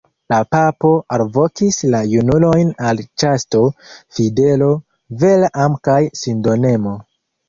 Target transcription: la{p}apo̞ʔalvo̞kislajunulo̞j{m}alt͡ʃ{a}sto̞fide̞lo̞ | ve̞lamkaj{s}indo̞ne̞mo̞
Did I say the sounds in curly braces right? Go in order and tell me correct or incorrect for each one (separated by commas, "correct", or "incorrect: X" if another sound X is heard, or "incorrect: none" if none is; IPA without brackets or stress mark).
correct, incorrect: n, correct, correct